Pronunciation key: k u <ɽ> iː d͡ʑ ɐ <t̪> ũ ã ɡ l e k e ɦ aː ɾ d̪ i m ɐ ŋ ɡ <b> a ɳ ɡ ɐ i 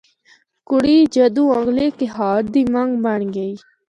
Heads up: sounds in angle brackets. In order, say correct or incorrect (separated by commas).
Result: correct, incorrect, correct